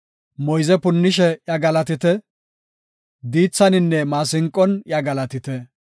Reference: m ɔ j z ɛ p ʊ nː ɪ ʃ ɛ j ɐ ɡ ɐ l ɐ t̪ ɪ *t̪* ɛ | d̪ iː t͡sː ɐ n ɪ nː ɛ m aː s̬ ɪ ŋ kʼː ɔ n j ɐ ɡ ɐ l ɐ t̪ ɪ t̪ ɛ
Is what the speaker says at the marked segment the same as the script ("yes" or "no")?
yes